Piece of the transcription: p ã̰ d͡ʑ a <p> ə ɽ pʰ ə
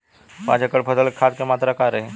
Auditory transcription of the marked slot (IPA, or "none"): k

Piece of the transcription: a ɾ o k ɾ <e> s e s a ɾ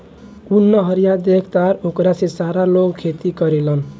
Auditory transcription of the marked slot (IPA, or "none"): a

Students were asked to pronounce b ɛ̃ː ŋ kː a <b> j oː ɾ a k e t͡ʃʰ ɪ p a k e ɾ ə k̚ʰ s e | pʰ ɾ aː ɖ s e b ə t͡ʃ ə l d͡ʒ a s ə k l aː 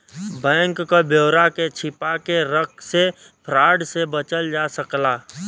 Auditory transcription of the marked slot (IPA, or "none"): b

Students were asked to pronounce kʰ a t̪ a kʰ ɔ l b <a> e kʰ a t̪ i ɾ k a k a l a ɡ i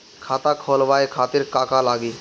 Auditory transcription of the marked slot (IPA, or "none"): a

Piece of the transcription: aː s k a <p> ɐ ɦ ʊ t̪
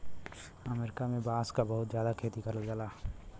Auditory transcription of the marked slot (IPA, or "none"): b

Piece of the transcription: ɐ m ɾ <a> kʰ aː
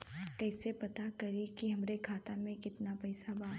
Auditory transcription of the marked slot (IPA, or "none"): e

